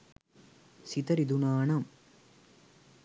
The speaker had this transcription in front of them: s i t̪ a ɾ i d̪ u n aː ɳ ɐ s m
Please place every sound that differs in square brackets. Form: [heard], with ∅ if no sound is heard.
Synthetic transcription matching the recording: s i t̪ [ɐ] ɾ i d̪ u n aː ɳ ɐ [∅] m